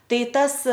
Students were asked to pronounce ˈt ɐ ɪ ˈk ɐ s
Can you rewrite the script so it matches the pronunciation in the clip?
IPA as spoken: ˈt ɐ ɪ ˈt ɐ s